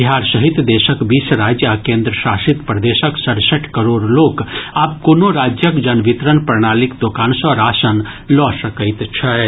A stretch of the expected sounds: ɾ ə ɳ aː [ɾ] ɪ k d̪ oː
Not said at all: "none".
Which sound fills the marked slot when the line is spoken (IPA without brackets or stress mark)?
l